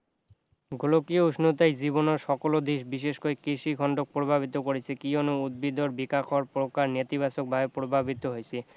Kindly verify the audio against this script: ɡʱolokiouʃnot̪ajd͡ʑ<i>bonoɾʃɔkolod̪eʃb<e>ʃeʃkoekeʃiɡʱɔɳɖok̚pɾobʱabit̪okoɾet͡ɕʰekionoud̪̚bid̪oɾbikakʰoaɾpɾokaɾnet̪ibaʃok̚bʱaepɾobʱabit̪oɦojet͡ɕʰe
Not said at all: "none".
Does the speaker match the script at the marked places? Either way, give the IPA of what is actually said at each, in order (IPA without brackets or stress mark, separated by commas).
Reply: i, i